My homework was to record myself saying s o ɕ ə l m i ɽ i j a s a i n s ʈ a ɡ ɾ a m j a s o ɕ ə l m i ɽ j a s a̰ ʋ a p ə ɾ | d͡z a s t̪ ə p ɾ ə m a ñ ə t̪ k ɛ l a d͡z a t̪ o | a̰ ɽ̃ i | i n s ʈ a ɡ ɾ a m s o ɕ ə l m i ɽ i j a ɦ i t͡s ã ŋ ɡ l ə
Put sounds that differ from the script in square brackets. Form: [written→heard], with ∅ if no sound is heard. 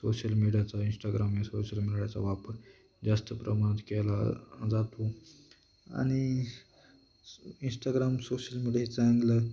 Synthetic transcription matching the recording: s o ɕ ə l m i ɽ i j a [s→t͡s] a i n s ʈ a ɡ ɾ a m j a s o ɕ ə l m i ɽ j a [s→t͡s] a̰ ʋ a p ə ɾ | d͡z a s t̪ ə p ɾ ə m a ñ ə t̪ k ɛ l a d͡z a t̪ o | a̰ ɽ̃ i | i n s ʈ a ɡ ɾ a m s o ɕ ə l m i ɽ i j a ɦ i t͡s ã ŋ ɡ l ə